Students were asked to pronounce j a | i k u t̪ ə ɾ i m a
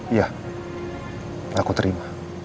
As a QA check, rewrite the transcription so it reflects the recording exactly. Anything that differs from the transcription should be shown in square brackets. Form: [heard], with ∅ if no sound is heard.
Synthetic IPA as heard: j a | [a] k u t̪ ə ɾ i m a